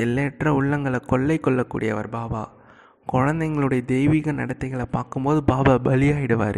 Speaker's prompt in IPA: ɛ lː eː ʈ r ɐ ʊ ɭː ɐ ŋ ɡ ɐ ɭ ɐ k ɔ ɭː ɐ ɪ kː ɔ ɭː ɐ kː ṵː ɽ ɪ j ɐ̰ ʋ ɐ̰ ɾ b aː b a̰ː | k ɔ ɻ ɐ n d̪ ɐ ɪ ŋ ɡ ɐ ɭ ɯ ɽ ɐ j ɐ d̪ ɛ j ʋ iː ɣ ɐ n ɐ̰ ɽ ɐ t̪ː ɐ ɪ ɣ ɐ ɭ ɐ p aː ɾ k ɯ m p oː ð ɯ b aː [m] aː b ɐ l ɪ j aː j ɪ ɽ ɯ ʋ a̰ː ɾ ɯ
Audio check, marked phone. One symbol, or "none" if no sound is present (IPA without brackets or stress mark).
b